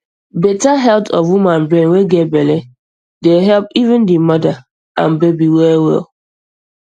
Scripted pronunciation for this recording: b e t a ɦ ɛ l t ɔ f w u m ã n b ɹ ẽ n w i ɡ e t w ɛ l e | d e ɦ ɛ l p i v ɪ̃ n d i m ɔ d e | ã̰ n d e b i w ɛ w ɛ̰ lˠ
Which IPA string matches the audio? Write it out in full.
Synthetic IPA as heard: b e t a ɦ ɛ l t ɔ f w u m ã n b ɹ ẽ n w e ɡ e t b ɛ l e | d e ɦ ɛ l p i v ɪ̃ n d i m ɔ d a | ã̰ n b e b i w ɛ w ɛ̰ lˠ